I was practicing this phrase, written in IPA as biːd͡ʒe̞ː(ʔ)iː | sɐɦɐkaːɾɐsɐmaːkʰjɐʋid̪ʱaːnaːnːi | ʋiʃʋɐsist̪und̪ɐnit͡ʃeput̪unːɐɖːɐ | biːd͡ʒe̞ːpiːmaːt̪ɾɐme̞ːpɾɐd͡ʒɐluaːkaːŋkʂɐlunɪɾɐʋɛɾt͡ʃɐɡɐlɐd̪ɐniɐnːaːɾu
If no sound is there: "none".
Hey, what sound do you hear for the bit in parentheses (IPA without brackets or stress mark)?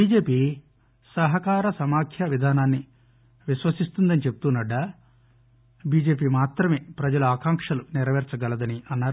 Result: p